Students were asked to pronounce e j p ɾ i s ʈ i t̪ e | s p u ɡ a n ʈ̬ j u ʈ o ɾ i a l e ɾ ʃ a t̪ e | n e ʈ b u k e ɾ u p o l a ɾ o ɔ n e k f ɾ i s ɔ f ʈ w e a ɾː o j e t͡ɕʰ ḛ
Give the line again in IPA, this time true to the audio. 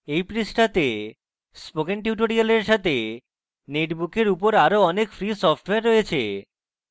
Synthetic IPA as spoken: e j p ɾ i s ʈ a t̪ e | s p o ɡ e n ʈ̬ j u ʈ o ɾ i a l e ɾ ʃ a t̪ e | n e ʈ b u k e ɾ u p o ɾ a ɾ o ɔ n e k f ɾ i s ɔ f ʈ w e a ɾː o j e t͡ɕʰ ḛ